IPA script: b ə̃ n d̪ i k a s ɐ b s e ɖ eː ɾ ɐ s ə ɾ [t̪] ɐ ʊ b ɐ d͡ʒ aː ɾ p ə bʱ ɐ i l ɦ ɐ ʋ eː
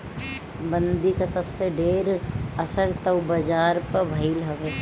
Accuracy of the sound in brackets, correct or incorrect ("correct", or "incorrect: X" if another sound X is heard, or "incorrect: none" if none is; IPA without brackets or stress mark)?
correct